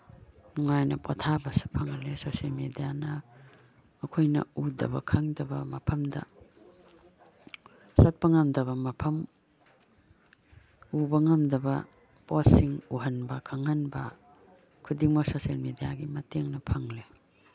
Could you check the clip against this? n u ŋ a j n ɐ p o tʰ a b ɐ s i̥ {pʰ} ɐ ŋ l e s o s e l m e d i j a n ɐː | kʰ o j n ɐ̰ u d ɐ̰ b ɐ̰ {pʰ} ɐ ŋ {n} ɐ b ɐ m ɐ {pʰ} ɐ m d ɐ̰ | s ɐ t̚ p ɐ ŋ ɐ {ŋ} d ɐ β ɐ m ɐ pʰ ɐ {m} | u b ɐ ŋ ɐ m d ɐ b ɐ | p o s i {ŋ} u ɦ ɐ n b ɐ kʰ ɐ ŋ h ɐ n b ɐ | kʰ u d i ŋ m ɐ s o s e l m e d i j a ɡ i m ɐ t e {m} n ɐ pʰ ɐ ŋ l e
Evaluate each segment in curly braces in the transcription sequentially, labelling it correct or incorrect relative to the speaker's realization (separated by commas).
correct, incorrect, incorrect, correct, incorrect, correct, correct, incorrect